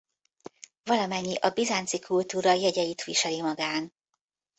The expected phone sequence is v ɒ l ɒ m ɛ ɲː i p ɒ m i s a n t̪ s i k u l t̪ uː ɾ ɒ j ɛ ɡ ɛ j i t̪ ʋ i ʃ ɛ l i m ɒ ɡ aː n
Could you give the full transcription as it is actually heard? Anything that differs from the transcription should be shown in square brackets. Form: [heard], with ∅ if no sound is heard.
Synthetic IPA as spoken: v ɒ l ɒ m ɛ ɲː i [ʔ] ɒ [b] i [z] a n t̪ s i k u l t̪ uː ɾ ɒ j ɛ [ɟ] ɛ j i t̪ ʋ i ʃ ɛ l i m ɒ ɡ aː n